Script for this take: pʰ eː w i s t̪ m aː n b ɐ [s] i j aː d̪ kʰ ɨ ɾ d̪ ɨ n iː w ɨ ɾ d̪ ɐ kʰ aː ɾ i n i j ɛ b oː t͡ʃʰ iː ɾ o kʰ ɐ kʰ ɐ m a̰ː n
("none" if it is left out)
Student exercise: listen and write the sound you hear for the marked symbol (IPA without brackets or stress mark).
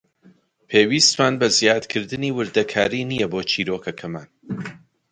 z